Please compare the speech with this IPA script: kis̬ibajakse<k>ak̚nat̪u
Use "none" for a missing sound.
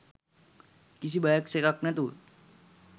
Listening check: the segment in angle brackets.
k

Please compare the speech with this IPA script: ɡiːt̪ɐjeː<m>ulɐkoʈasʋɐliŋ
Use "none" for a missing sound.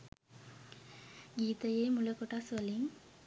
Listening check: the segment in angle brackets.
m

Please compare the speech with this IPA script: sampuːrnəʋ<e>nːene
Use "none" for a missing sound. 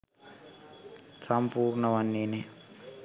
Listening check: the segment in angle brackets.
a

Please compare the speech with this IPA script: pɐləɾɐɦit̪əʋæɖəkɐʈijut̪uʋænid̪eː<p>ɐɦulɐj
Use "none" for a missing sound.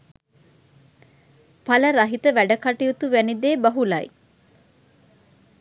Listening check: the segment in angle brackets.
b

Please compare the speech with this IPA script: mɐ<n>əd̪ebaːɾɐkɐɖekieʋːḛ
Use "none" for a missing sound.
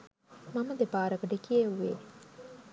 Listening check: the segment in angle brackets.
m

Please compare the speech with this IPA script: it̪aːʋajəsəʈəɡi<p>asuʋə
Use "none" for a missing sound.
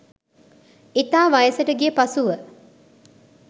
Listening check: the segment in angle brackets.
p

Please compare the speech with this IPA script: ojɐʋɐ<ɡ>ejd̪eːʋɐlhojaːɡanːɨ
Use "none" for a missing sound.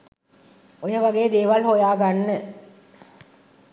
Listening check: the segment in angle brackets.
ɡ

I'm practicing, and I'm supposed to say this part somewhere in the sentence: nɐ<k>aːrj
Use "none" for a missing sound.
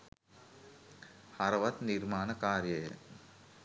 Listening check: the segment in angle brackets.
k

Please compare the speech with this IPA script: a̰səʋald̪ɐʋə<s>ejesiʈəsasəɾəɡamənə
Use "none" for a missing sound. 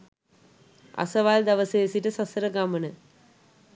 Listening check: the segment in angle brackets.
s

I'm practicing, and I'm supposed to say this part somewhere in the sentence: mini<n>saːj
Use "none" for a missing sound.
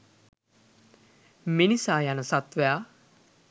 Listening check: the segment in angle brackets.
none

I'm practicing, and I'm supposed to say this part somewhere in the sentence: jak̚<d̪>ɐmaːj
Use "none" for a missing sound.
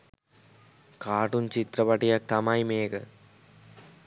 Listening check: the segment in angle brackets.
t̪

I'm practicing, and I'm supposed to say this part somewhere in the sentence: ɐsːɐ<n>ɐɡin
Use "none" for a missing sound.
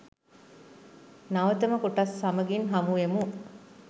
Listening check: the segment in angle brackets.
m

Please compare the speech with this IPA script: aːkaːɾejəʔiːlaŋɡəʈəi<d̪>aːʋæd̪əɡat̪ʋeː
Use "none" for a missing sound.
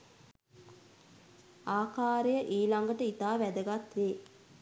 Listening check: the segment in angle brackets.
t̪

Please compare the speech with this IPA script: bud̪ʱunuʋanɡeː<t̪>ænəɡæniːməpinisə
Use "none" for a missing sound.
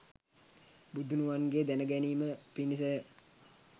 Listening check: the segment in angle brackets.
d̪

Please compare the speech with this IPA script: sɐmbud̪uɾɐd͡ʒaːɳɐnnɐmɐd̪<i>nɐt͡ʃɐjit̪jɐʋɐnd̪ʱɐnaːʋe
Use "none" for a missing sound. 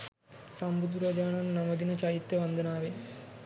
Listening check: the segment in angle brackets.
i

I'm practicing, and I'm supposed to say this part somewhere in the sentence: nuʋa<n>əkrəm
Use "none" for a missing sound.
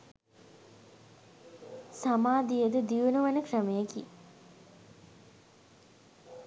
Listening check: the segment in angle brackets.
n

